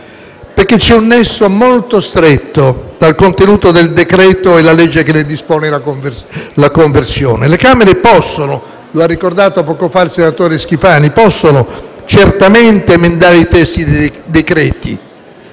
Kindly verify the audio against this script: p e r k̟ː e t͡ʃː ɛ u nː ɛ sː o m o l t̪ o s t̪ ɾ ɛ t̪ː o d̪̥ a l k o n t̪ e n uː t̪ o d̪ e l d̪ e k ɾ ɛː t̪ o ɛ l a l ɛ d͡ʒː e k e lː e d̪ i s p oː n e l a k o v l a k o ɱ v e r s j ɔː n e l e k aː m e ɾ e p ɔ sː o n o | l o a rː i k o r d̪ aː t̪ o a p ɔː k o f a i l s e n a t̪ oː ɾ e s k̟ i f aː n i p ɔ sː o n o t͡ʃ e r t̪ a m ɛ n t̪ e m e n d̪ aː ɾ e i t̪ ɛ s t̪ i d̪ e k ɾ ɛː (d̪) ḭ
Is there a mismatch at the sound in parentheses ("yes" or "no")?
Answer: yes